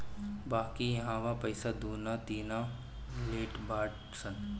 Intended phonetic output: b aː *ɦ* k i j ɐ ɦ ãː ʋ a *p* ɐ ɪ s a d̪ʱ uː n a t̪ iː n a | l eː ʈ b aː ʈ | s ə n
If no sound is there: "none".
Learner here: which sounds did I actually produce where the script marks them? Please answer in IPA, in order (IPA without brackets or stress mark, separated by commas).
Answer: none, p